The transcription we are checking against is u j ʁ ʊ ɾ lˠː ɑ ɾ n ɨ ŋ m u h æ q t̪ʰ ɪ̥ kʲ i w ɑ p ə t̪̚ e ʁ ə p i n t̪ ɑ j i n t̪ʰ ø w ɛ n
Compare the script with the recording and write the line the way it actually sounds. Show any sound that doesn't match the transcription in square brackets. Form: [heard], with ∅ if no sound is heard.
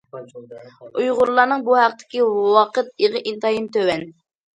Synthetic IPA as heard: u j ʁ ʊ ɾ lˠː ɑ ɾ n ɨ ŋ [b] u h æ q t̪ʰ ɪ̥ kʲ i w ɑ [q] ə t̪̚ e ʁ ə [ʔ] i n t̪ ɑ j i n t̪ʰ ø w ɛ n